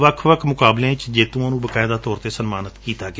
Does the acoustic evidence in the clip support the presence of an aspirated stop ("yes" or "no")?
yes